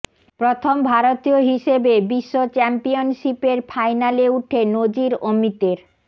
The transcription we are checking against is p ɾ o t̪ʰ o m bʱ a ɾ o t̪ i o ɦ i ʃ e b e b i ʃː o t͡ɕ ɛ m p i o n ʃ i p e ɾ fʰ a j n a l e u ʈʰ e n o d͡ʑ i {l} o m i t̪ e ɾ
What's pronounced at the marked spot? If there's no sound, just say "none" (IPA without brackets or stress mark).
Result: ɾ